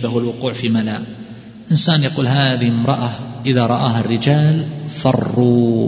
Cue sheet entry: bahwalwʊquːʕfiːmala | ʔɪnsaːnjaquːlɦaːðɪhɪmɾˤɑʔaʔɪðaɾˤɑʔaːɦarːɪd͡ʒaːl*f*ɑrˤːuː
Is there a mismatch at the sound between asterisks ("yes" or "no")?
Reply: no